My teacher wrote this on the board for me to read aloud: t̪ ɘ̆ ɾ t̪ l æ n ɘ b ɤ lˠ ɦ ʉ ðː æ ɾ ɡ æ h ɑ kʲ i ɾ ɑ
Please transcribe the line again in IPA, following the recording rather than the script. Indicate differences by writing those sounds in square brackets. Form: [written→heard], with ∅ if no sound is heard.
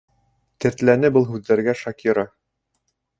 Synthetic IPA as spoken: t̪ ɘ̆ ɾ t̪ l æ n ɘ b ɤ lˠ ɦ ʉ ðː æ ɾ ɡ æ [h→ʃ] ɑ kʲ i ɾ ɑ